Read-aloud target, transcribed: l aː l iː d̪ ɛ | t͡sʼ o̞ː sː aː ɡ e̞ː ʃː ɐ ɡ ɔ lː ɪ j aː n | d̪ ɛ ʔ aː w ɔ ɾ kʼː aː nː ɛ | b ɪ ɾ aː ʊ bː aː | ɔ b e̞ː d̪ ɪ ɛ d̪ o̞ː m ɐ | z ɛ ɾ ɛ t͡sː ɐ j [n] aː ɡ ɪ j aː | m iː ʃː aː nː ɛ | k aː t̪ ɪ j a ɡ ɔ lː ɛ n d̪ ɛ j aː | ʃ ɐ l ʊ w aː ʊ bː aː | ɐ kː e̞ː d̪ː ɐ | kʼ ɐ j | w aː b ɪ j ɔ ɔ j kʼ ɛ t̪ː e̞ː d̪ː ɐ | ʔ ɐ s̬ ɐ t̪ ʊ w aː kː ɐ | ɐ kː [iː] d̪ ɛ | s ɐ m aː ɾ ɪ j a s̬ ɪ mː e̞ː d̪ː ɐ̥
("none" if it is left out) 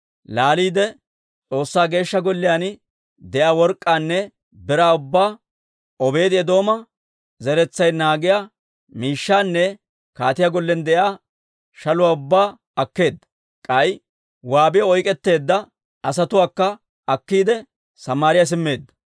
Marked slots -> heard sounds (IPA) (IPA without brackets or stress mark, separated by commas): n, iː